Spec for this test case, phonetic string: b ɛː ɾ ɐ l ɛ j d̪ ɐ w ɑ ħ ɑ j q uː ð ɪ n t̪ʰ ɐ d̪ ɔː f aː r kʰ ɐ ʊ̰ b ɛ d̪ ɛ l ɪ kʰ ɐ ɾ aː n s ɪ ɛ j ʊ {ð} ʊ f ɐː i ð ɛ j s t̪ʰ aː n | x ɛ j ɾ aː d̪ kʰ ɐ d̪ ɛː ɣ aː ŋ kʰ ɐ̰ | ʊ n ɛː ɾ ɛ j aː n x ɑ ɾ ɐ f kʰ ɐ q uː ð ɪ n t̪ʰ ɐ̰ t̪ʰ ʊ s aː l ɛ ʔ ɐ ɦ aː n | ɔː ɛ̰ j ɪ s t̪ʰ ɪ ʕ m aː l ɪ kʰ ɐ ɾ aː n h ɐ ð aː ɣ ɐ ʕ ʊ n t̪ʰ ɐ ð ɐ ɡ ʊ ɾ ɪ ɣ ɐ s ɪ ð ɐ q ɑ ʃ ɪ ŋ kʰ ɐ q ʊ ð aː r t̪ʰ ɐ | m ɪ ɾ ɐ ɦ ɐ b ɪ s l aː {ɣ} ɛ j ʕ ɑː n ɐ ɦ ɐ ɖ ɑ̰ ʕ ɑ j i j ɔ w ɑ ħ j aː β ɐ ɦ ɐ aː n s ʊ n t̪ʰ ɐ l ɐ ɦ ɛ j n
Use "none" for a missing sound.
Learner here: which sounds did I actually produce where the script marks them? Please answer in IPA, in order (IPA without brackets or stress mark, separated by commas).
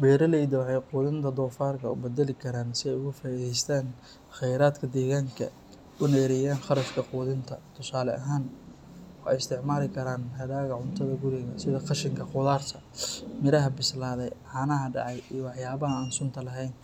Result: ɣ, ð